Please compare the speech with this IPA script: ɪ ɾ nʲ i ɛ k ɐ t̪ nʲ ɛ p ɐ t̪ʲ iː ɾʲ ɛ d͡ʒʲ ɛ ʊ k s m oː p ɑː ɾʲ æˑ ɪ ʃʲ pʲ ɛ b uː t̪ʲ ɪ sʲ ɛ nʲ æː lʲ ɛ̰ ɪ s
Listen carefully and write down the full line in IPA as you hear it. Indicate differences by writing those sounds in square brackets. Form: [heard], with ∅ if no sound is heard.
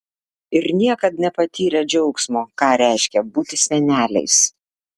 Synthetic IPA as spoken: ɪ ɾ nʲ i ɛ k ɐ t̪ nʲ ɛ p ɐ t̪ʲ iː ɾʲ ɛ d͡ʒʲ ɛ ʊ k s m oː [k] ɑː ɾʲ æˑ ɪ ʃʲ [kʲ] ɛ b uː t̪ʲ ɪ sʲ ɛ nʲ æː lʲ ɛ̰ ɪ s